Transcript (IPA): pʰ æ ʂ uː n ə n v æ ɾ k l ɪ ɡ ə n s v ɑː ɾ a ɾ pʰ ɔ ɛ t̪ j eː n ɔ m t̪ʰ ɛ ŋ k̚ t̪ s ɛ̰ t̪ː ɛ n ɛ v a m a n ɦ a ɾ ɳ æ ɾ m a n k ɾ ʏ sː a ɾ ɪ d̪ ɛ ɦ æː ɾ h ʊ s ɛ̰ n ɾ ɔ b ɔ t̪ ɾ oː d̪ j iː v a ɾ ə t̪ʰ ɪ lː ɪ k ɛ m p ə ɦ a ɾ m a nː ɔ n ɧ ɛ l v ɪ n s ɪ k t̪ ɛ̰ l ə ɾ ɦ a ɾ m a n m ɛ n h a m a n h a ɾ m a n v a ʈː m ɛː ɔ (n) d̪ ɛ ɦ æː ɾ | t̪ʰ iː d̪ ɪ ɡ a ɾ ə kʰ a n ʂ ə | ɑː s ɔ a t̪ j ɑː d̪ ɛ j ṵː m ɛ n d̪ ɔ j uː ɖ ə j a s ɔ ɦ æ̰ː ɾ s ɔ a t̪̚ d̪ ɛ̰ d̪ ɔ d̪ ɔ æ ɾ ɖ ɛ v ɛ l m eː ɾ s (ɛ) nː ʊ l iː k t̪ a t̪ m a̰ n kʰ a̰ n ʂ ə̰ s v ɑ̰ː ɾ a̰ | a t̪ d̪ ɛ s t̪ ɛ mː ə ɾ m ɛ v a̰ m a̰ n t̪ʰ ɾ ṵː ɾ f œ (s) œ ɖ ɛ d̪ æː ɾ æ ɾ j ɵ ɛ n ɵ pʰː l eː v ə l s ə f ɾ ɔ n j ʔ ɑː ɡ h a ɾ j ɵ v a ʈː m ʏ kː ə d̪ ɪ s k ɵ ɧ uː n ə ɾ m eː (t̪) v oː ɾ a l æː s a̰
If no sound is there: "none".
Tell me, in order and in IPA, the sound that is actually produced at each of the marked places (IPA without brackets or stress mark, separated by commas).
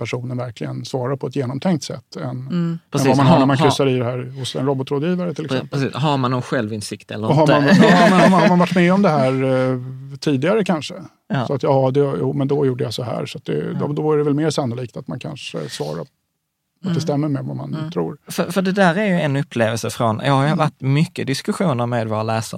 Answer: m, a, f, d̪